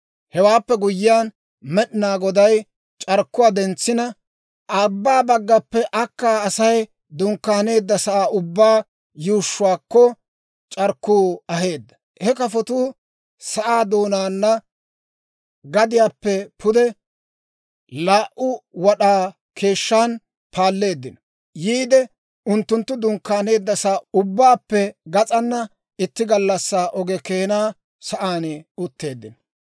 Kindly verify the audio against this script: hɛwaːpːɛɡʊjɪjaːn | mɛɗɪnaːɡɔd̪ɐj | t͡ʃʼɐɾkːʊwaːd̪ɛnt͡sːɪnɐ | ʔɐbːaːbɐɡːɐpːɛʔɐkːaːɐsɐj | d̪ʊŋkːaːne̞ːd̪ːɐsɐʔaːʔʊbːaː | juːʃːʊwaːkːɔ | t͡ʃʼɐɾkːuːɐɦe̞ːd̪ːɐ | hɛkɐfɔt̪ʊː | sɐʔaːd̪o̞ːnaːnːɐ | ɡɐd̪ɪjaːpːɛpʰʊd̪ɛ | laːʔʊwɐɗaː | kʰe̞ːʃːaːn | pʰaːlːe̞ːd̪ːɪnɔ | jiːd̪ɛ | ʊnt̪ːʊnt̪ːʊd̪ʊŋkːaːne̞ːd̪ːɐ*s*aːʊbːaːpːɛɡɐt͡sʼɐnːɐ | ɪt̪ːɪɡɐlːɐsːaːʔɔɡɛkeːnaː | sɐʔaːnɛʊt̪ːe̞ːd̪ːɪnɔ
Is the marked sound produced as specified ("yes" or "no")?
yes